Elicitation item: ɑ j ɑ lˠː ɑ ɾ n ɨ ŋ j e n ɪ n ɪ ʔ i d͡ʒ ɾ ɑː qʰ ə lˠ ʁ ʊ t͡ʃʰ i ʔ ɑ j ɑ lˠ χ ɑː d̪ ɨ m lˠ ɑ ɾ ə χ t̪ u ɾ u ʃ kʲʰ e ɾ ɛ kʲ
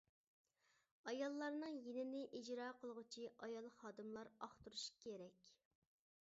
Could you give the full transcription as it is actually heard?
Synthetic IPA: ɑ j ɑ lˠː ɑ ɾ n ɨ ŋ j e n ɪ n ɪ ʔ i d͡ʒ ɾ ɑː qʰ ə lˠ ʁ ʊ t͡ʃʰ i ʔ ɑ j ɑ lˠ χ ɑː d̪ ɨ m lˠ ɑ ɾ ɑ χ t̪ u ɾ u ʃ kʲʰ e ɾ ɛ kʲ